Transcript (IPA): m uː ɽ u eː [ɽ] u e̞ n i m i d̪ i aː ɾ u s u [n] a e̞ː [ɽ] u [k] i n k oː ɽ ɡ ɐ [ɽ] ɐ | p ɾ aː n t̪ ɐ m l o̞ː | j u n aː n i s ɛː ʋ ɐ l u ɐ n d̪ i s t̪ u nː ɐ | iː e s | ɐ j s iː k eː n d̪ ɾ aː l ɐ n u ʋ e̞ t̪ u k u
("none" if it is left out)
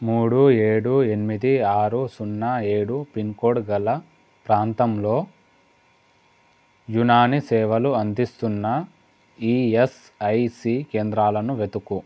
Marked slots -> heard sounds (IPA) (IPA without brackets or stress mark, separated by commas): ɽ, nː, ɽ, p, l